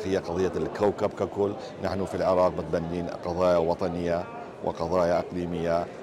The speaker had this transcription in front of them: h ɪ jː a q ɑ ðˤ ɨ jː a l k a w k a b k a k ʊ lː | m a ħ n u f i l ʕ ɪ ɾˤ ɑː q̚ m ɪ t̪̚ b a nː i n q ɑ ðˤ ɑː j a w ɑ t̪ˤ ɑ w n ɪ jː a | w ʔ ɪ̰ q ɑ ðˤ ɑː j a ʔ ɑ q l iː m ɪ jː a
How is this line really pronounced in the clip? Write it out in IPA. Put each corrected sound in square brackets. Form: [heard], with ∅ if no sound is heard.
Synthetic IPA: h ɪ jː a q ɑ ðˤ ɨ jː a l k a w k a b k a k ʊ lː | [n] a ħ n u f i l ʕ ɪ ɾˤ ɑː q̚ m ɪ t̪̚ b a nː [iː] n q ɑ ðˤ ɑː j a w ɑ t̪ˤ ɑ [∅] n ɪ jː a | w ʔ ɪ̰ q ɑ ðˤ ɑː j a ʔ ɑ q l iː m ɪ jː a